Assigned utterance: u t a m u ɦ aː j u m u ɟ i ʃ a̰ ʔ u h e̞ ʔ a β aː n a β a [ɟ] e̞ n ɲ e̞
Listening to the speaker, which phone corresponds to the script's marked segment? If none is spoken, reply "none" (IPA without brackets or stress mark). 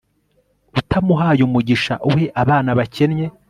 c